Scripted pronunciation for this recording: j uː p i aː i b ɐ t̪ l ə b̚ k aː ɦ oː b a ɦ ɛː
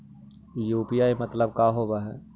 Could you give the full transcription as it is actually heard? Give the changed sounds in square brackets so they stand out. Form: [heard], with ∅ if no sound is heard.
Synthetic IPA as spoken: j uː p i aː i [m] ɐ t̪ l ə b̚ k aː ɦ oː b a ɦ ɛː